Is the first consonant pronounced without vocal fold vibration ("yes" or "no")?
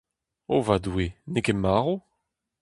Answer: no